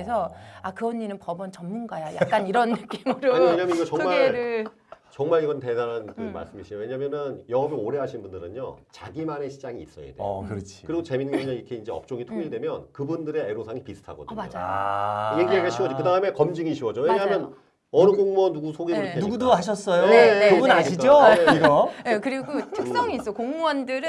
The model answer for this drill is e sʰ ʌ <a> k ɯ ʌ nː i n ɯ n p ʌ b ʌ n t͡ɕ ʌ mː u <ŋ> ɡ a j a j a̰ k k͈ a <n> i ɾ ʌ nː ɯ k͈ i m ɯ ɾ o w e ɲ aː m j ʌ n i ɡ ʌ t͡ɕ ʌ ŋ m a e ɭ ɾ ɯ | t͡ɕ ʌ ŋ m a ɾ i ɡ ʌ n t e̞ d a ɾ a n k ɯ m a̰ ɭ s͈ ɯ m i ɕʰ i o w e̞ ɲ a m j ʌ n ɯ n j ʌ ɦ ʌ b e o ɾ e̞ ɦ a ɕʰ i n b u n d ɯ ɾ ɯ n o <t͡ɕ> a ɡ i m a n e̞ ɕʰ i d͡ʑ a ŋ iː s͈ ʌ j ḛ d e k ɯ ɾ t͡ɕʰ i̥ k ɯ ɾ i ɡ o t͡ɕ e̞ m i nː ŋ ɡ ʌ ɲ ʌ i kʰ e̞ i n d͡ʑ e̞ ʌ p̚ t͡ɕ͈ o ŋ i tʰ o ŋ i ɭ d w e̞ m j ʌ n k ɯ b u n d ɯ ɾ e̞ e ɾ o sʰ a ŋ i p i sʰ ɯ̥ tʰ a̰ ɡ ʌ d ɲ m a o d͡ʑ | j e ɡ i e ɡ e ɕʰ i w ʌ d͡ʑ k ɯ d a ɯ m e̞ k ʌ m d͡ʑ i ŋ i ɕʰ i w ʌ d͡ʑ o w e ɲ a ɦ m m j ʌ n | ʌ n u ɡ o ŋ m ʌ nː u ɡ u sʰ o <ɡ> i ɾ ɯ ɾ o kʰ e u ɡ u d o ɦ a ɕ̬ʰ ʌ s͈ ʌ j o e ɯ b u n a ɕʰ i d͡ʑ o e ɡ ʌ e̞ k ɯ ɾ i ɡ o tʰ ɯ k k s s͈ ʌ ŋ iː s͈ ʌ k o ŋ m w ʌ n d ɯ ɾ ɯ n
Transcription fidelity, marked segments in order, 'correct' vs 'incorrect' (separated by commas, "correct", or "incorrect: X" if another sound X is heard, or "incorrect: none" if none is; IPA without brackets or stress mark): correct, incorrect: n, correct, correct, correct